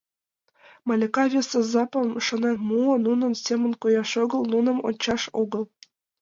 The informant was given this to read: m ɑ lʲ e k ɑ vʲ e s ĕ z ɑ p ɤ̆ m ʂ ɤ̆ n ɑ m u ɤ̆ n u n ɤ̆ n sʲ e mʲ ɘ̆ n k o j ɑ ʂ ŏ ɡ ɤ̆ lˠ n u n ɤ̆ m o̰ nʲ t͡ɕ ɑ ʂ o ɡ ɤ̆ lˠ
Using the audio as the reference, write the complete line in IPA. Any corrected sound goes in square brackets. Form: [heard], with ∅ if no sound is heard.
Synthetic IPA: m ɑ lʲ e k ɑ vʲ e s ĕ z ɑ p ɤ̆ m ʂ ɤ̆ n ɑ m u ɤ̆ n u n ɤ̆ n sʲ e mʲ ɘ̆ n k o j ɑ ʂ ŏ ɡ ɤ̆ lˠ n u n ɤ̆ m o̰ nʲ t͡ɕ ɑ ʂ o ɡ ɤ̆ lˠ